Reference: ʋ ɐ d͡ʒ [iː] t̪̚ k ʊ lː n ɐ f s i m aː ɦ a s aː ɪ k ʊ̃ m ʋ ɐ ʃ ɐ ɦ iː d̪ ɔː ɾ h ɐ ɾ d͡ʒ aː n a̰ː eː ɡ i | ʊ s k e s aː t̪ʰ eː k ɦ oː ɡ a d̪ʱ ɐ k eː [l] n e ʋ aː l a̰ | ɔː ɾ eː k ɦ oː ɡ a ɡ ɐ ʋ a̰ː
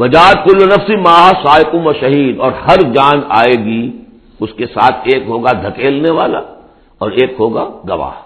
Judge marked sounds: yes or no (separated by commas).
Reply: no, yes